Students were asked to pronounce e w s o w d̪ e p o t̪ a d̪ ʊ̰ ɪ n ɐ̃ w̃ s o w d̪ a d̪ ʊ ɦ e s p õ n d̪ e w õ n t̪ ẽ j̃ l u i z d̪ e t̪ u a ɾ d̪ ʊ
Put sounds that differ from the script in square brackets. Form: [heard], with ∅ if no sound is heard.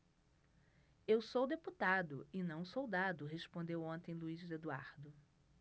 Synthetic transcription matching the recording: e w s o w d̪ e p [u] t̪ a d̪ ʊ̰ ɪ n ɐ̃ w̃ s o w d̪ a d̪ ʊ ɦ e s p õ n d̪ e w õ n t̪ ẽ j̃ l u i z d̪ e [d̪] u a ɾ d̪ ʊ

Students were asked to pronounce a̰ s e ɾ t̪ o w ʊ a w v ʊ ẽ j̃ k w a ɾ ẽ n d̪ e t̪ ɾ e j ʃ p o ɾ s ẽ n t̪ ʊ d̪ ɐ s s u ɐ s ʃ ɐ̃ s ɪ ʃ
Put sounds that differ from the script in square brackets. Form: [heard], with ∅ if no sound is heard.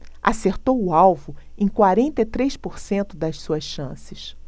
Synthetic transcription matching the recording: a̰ s e ɾ t̪ o w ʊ a w v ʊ ẽ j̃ k w a ɾ ẽ n [t̪] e t̪ ɾ e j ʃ p o ɾ s ẽ n t̪ ʊ d̪ ɐ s s u ɐ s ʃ ɐ̃ s ɪ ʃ

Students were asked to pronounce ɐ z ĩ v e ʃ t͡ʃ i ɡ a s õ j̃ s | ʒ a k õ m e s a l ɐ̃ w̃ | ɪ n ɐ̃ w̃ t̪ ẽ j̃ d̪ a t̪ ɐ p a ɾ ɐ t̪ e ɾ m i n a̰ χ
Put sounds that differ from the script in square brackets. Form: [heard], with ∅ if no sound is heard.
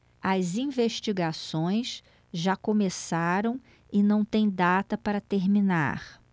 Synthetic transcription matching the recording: ɐ z ĩ v e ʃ t͡ʃ i ɡ a s õ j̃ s | ʒ a k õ m e s a [ɾ] ɐ̃ w̃ | ɪ n ɐ̃ w̃ t̪ ẽ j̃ d̪ a t̪ ɐ p a ɾ ɐ t̪ e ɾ m i n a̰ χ

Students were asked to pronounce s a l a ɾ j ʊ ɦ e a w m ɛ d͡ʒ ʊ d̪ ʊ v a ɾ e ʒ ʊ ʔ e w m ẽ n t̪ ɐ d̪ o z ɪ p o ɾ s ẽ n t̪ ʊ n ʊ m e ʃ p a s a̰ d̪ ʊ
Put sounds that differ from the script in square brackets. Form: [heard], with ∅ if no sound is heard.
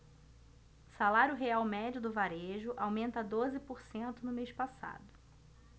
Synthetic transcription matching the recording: s a l a ɾ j ʊ ɦ e a w m ɛ d͡ʒ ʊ d̪ ʊ v a ɾ e ʒ ʊ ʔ [a] w m ẽ n t̪ ɐ d̪ o z ɪ p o ɾ s ẽ n t̪ ʊ n ʊ m e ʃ p a s a̰ d̪ ʊ

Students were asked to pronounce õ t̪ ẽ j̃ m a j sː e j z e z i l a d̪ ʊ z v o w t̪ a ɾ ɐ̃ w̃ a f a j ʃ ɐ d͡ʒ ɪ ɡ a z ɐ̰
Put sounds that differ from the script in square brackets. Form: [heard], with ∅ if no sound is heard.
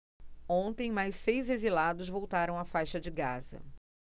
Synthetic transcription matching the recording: õ t̪ ẽ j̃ m a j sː e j z e z i l a d̪ ʊ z v o w t̪ a ɾ ɐ̃ w̃ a f a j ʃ ɐ d͡ʒ ɪ ɡ a z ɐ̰

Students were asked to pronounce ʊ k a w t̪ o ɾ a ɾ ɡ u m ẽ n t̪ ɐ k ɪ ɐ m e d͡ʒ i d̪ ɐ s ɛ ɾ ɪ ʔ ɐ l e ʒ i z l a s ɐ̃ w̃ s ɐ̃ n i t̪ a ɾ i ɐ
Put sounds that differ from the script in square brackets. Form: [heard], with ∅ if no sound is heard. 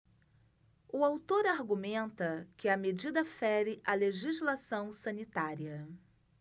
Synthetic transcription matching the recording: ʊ [∅] a w t̪ o ɾ a ɾ ɡ u m ẽ n t̪ ɐ k ɪ ɐ m e d͡ʒ i d̪ ɐ [f] ɛ ɾ ɪ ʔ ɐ l e ʒ i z l a s ɐ̃ w̃ s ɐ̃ n i t̪ a ɾ i ɐ

